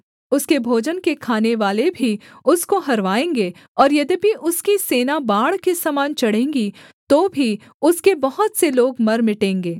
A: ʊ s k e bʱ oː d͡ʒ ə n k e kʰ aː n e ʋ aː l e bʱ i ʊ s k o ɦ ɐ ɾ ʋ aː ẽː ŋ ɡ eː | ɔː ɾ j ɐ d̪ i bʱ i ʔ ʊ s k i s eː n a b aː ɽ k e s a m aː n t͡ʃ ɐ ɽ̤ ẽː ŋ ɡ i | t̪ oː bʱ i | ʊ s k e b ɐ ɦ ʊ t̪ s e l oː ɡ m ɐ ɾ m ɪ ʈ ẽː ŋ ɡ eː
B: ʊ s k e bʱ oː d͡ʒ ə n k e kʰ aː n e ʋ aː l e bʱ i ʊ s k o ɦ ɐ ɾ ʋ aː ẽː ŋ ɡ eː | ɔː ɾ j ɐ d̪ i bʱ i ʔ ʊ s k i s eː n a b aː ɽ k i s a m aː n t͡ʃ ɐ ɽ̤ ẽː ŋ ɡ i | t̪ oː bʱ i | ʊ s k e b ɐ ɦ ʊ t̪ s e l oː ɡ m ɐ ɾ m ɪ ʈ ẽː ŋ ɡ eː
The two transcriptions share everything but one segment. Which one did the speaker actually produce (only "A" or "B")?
A